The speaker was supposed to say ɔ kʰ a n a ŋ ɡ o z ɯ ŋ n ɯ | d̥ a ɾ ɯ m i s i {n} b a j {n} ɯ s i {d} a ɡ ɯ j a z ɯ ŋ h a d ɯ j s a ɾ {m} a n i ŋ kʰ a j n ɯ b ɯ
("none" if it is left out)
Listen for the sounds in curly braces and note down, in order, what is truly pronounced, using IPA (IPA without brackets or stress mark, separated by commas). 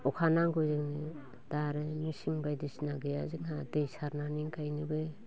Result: ŋ, d, n, n